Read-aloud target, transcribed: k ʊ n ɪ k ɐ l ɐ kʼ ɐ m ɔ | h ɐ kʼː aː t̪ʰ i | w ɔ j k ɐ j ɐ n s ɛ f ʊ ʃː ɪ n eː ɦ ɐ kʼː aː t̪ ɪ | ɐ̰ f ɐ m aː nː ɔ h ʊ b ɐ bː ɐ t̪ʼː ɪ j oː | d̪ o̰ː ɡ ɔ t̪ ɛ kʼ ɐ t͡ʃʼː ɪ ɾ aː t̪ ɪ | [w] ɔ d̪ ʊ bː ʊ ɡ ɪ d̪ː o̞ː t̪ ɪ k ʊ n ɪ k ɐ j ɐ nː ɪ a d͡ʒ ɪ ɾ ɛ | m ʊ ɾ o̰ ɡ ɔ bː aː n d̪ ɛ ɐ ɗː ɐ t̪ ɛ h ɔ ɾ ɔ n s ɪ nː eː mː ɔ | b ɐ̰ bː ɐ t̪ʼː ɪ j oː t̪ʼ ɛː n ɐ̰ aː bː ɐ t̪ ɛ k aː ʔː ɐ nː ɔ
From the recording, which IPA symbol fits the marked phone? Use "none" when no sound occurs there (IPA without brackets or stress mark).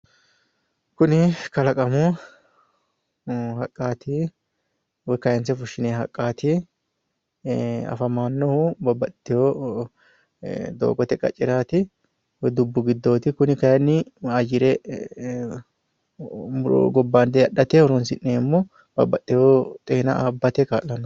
w